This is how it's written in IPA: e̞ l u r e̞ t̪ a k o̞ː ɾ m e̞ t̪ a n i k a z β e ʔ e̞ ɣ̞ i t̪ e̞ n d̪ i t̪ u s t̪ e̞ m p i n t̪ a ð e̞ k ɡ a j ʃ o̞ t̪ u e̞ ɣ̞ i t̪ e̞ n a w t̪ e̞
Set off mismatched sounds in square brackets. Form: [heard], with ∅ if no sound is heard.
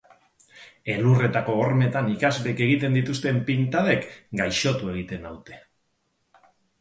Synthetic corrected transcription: e̞ l u r e̞ t̪ a k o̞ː ɾ m e̞ t̪ a n i k a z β e [k] e̞ ɣ̞ i t̪ e̞ n d̪ i t̪ u s t̪ e̞ m p i n t̪ a ð e̞ k ɡ a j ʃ o̞ t̪ u e̞ ɣ̞ i t̪ e̞ n a w t̪ e̞